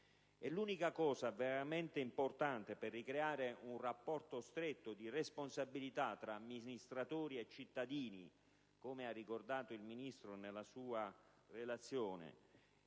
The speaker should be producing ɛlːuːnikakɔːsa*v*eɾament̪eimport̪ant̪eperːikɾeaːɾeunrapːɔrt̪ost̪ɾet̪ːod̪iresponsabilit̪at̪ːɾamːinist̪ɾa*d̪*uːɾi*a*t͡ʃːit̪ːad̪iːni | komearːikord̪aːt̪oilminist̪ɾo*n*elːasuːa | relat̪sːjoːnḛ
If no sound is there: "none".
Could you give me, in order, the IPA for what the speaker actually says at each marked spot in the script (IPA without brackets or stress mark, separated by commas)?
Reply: v, t̪, e, n